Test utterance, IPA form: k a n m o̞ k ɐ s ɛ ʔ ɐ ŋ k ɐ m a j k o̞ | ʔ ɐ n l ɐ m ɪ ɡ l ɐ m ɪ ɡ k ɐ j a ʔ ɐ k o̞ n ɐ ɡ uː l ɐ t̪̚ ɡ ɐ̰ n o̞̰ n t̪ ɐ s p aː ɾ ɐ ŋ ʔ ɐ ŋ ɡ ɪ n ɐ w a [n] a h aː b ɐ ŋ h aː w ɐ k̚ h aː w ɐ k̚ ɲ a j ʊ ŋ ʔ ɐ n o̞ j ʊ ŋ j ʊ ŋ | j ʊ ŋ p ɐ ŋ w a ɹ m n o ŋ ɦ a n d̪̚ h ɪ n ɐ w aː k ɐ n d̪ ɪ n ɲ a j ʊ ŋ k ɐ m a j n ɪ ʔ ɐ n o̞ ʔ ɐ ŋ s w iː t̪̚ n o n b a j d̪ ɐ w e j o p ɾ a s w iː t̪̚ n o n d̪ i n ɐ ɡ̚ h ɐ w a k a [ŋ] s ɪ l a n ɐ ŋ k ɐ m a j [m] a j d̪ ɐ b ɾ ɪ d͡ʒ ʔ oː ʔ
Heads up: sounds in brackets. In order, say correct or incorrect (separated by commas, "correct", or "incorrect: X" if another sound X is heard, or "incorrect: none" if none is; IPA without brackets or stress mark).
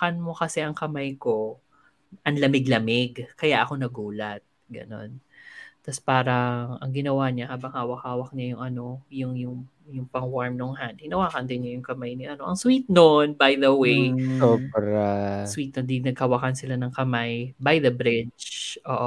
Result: incorrect: ɲ, incorrect: n, incorrect: b